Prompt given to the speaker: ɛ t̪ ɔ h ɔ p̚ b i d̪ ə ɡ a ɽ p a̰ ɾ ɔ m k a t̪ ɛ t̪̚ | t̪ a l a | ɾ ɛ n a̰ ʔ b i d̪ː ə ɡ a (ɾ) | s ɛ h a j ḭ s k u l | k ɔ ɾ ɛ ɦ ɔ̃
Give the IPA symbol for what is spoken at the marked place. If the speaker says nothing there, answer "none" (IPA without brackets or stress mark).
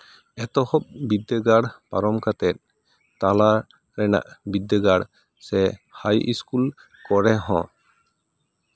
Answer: ɽ